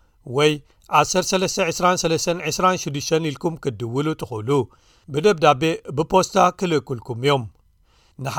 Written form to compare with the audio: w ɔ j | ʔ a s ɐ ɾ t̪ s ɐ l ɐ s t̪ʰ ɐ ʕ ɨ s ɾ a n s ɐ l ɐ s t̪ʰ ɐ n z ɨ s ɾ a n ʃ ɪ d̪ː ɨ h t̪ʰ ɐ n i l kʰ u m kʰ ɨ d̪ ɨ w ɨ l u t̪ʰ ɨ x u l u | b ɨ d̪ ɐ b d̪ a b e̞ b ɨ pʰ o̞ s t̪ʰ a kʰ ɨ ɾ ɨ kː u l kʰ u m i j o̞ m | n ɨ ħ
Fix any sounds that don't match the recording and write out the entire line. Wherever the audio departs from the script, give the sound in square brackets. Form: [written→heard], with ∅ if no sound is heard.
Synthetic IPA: w ɔ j | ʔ a s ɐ ɾ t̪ s ɐ l ɐ s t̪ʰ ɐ ʕ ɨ s ɾ a n s ɐ l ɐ s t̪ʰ ɐ n [z→ʕ] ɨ s ɾ a n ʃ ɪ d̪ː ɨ [h→ʃ] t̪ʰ ɐ n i l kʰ u m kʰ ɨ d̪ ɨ w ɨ l u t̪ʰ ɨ x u l u | b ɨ d̪ ɐ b d̪ a b e̞ b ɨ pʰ o̞ s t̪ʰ a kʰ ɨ [ɾ→l] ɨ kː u l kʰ u m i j o̞ m | n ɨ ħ